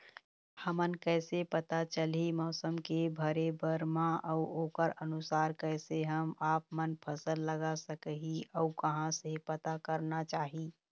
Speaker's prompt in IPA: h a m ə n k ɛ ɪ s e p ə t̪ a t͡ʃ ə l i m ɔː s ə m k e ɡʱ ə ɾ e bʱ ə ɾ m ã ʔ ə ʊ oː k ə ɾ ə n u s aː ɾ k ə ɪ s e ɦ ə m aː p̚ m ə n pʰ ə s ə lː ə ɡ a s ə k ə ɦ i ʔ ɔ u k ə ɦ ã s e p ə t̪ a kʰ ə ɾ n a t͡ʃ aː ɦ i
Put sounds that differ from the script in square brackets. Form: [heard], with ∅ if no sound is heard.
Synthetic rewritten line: h [ə] m ə n k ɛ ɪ s e p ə t̪ a t͡ʃ ə l i m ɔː s ə m k e [bʱ] ə ɾ e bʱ ə ɾ m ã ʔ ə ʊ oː k ə ɾ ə n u s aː ɾ k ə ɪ s e ɦ ə m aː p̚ m ə n pʰ ə s ə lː ə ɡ a s ə k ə ɦ i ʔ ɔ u k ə ɦ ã s e p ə t̪ a [k] ə ɾ n a t͡ʃ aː ɦ i